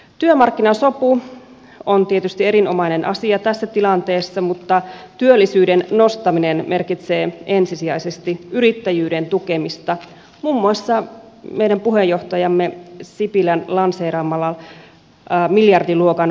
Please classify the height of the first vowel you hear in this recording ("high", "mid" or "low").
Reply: high